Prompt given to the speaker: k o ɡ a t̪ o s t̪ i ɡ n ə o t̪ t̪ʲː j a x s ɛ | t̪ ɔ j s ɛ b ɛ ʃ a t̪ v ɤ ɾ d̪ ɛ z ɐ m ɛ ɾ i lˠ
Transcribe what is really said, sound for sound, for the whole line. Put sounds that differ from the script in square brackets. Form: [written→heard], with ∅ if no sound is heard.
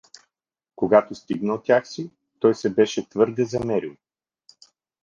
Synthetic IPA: k o ɡ a t̪ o s t̪ i ɡ n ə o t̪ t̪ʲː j a x s [ɛ→i] | t̪ ɔ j s ɛ b ɛ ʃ [a→ɛ] t̪ v ɤ ɾ d̪ ɛ z ɐ m ɛ ɾ i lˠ